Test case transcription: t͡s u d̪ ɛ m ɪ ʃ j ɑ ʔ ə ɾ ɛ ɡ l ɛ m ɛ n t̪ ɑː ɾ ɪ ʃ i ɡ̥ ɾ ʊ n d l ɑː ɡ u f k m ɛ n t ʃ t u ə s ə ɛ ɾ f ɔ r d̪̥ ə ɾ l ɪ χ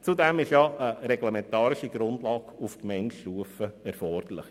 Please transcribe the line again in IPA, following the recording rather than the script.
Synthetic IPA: t͡s u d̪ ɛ m ɪ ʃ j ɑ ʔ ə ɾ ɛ ɡ l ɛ m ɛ n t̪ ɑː ɾ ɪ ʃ i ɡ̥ ɾ ʊ n d l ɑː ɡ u f k m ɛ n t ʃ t u ə f ə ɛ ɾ f ɔ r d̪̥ ə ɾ l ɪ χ